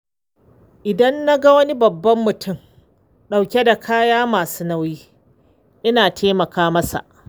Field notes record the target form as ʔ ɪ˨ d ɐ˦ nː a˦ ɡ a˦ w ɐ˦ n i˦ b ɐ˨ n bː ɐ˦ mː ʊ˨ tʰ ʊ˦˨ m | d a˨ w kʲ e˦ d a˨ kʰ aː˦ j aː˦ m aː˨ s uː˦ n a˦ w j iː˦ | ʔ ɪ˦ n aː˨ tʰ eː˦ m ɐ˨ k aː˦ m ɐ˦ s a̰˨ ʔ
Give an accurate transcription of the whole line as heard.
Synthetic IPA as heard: ʔ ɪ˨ d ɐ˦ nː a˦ ɡ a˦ w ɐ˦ n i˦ b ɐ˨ bː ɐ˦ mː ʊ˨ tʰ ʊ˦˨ m | ɗ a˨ w kʲ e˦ d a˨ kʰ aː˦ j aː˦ m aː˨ s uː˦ n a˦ w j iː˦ | ʔ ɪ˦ n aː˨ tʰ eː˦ m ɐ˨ k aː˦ m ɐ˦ s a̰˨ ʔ